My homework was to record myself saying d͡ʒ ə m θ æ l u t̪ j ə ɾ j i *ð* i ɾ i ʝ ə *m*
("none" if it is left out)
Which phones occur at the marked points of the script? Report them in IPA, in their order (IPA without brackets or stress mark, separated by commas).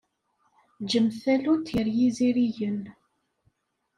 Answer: z, n